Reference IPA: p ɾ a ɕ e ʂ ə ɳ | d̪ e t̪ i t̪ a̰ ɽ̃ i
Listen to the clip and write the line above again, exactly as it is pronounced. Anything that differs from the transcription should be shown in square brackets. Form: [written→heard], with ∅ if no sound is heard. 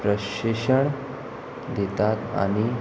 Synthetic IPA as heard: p ɾ [a→ə] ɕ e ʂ ə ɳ | d̪ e t̪ [i→a] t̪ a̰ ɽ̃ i